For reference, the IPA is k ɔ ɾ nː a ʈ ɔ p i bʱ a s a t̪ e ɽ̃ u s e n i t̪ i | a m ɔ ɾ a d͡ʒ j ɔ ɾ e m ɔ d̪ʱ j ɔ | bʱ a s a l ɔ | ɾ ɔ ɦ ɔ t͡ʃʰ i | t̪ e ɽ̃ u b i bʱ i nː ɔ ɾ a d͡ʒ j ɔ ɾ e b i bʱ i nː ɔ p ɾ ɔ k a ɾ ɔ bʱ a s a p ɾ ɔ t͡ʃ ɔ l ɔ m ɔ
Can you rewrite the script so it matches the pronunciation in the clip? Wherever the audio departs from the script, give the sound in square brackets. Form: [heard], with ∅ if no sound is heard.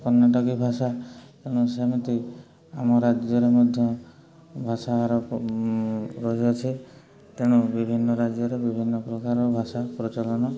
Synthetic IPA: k ɔ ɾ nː a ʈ ɔ [k] i bʱ a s a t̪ e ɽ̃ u s e [m] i t̪ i | a m ɔ ɾ a d͡ʒ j ɔ ɾ e m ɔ d̪ʱ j ɔ | bʱ a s a [ɾ] ɔ | ɾ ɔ ɦ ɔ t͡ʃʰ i | t̪ e ɽ̃ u b i bʱ i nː ɔ ɾ a d͡ʒ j ɔ ɾ e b i bʱ i nː ɔ p ɾ ɔ k a ɾ ɔ bʱ a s a p ɾ ɔ t͡ʃ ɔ l ɔ [n] ɔ